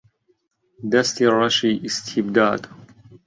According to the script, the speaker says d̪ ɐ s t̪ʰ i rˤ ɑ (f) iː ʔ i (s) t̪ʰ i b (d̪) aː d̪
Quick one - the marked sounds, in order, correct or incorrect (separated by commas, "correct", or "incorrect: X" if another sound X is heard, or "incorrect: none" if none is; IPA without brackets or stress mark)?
incorrect: ʃ, correct, correct